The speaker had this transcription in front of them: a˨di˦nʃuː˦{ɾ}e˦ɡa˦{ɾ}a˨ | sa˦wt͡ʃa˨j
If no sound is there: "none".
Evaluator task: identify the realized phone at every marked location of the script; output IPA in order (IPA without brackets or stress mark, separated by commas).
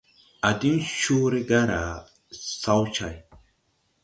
ɾ, ɾ